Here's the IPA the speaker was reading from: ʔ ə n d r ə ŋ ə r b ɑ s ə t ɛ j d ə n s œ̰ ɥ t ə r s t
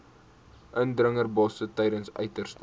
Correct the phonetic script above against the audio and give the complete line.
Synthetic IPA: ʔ ə n d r ə ŋ ə r b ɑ s ə t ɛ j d ə n s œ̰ ɥ t ə r s t